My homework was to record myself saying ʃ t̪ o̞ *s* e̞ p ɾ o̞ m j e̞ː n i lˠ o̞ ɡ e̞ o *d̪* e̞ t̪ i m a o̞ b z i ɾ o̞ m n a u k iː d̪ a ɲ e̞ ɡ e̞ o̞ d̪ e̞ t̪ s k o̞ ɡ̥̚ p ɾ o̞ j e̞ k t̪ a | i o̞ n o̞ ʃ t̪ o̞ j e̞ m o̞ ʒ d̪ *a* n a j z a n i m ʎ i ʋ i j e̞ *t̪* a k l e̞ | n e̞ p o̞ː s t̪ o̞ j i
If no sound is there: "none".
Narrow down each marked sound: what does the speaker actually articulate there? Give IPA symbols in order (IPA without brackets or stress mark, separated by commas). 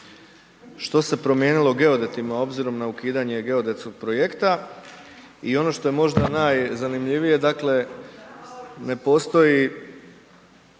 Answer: s, d̪, a, d̪